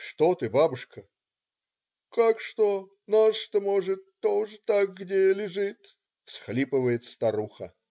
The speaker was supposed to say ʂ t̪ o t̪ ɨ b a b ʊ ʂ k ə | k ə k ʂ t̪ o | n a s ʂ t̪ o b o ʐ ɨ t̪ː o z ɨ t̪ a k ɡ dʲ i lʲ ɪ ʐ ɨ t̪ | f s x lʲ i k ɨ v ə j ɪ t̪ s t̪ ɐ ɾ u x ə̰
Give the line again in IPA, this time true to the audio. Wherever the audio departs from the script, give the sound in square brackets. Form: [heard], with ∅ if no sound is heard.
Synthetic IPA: ʂ t̪ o t̪ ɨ b a b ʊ ʂ k ə | k [a] k ʂ t̪ o | n a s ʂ t̪ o [m] o ʐ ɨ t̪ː o [ʐ] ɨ t̪ a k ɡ dʲ [e] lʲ ɪ ʐ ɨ t̪ | f s x lʲ i [p] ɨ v ə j ɪ t̪ s t̪ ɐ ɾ u x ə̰

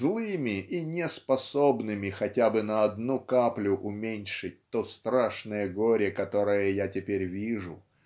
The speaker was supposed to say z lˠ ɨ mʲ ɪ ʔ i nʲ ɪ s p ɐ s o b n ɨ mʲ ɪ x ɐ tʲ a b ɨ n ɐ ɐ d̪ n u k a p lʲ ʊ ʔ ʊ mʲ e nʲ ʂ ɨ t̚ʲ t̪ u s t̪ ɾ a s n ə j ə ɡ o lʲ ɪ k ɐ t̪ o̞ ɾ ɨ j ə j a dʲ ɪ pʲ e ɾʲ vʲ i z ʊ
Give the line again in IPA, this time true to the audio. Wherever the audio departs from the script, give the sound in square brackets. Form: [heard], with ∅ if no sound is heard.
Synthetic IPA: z lˠ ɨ mʲ ɪ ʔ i nʲ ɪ s p ɐ s o b n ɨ mʲ ɪ x ɐ tʲ a b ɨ n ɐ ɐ d̪ n u k a p lʲ ʊ ʔ ʊ mʲ e nʲ ʂ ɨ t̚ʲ t̪ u s t̪ ɾ a [ʂ] n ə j ə ɡ o [ɾʲ] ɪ k ɐ t̪ o̞ ɾ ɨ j ə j a [tʲ] ɪ pʲ e ɾʲ vʲ i [ʐ] ʊ

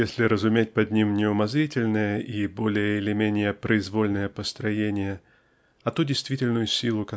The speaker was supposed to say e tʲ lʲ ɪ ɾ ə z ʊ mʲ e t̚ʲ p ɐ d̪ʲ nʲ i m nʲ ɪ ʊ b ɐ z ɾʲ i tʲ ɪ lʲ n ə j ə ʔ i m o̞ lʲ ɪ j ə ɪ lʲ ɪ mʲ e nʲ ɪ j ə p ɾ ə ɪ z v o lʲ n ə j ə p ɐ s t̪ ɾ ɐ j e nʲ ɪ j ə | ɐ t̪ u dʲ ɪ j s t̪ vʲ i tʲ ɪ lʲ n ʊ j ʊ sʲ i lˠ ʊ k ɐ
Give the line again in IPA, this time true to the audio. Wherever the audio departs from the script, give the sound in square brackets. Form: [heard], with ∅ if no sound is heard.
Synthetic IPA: e [sʲ] lʲ ɪ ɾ ə z ʊ mʲ e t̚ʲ p ɐ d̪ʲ nʲ i m nʲ ɪ ʊ [m] ɐ z ɾʲ i tʲ ɪ lʲ n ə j ə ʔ i [b] o̞ lʲ ɪ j ə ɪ lʲ ɪ mʲ e nʲ ɪ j ə p ɾ ə ɪ z v o lʲ n ə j ə p [ə] s t̪ ɾ ɐ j e nʲ ɪ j ə | ɐ t̪ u dʲ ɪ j s t̪ vʲ i tʲ ɪ lʲ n ʊ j ʊ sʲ i lˠ ʊ k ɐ

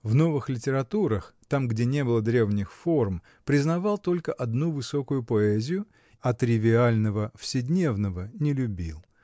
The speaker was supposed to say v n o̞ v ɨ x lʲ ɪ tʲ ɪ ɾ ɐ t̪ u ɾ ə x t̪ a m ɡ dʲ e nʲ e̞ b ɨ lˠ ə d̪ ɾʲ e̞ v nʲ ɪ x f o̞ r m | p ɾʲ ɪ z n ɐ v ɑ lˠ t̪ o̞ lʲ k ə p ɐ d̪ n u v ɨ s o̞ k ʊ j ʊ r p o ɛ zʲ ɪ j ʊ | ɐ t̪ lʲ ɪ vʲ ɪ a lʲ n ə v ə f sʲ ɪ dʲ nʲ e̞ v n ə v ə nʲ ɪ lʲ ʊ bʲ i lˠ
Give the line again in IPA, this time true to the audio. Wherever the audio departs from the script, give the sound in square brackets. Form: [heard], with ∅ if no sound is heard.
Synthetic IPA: v n o̞ v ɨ x lʲ ɪ tʲ ɪ ɾ ɐ t̪ u ɾ ə x t̪ a m ɡ dʲ e nʲ e̞ b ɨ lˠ ə d̪ ɾʲ e̞ v nʲ ɪ x f o̞ r m | p ɾʲ ɪ z n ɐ v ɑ lˠ t̪ o̞ lʲ k ə [ʔ] ɐ d̪ n u v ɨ s o̞ k ʊ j ʊ [∅] p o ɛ zʲ ɪ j ʊ | ɐ t̪ [ɾʲ] ɪ vʲ ɪ a lʲ n ə v ə f sʲ ɪ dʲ nʲ e̞ v n ə v ə nʲ ɪ lʲ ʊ bʲ i lˠ

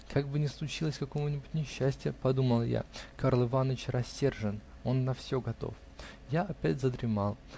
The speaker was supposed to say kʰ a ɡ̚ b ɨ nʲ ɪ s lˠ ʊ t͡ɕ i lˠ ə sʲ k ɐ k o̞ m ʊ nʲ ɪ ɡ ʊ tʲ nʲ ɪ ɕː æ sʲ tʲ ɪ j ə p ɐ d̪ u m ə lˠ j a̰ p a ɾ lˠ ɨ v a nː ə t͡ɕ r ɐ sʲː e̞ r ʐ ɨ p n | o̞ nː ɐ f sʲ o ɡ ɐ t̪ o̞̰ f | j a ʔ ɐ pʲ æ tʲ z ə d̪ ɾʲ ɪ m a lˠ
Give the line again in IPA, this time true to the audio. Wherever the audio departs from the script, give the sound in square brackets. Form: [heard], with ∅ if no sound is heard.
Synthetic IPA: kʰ a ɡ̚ b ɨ nʲ ɪ s lˠ ʊ t͡ɕ i lˠ ə sʲ k ɐ k o̞ m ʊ nʲ ɪ [b] ʊ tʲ nʲ ɪ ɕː æ sʲ tʲ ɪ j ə p ɐ d̪ u m ə lˠ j a̰ [k] a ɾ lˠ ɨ v a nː ə t͡ɕ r ɐ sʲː e̞ r ʐ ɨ [∅] n | o̞ nː ɐ f sʲ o ɡ ɐ t̪ o̞̰ f | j a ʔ ɐ pʲ æ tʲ z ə d̪ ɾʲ ɪ m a lˠ

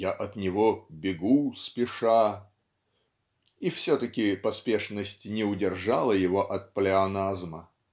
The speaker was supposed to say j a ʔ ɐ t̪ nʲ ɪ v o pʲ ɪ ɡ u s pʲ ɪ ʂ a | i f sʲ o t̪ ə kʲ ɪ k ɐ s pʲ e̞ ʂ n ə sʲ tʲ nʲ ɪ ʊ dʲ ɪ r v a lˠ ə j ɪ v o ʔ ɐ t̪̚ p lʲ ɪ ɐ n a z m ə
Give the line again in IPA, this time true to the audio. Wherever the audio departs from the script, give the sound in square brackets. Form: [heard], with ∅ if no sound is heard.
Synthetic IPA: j a ʔ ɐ t̪ nʲ ɪ v o [bʲ] ɪ ɡ u s pʲ ɪ ʂ a | i f sʲ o t̪ ə kʲ ɪ [p] ɐ s pʲ e̞ ʂ n ə sʲ tʲ nʲ ɪ ʊ dʲ ɪ r [ʐ] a lˠ ə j ɪ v o ʔ ɐ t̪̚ p lʲ ɪ ɐ n a z m ə

